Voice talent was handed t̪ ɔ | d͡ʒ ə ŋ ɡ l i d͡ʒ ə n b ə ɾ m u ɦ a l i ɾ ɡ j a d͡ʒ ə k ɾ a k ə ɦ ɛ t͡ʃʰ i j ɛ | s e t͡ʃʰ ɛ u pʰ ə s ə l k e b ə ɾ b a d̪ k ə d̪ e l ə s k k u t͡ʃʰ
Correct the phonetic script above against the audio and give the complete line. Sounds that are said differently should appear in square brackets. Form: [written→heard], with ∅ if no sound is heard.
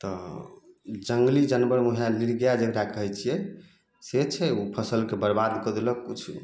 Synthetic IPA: t̪ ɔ | d͡ʒ ə ŋ ɡ l i d͡ʒ ə n b ə ɾ m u ɦ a l i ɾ ɡ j a d͡ʒ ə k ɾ a k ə ɦ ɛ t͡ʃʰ i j ɛ | s e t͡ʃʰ ɛ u pʰ ə s ə l k e b ə ɾ b a d̪ k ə d̪ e l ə [s→∅] k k u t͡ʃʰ